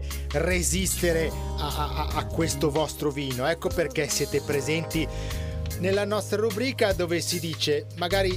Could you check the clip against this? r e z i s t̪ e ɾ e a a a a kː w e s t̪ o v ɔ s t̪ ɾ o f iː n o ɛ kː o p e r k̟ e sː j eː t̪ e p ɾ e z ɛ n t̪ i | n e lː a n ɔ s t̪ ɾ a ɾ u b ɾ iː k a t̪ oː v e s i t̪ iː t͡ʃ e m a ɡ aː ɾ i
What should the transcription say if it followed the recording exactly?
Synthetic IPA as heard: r e z i s t̪ e ɾ e a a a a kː w e s t̪ o v ɔ s t̪ ɾ o v iː n o ɛ kː o p e r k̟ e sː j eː t̪ e p ɾ e z ɛ n t̪ i | n e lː a n ɔ s t̪ ɾ a ɾ u b ɾ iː k a d̪ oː v e s i d̪ iː t͡ʃ e m a ɡ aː ɾ i